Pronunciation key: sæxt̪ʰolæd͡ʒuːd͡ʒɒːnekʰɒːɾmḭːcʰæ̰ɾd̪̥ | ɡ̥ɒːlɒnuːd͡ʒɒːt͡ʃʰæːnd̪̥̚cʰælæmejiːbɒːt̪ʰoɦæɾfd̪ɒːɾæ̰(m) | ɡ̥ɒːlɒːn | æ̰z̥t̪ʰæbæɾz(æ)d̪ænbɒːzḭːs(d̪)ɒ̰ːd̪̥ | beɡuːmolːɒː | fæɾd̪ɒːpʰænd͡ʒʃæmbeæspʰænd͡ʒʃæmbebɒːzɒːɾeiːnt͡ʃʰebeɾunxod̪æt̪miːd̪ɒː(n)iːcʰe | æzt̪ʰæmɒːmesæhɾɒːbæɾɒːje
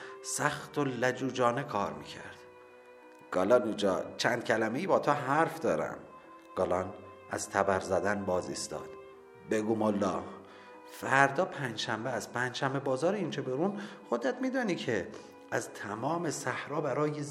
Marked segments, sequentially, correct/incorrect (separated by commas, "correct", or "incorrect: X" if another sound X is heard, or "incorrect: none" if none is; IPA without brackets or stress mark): correct, correct, incorrect: t̪, correct